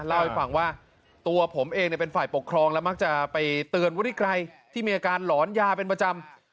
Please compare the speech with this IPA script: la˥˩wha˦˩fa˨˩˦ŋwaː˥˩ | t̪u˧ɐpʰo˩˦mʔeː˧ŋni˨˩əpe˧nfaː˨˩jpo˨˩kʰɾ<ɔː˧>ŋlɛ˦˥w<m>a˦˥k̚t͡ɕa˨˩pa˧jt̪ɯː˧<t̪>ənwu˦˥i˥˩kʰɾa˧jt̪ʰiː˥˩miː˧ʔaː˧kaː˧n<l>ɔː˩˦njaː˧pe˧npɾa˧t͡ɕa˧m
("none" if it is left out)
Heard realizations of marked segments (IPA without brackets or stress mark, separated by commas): ɔː˧, m, none, l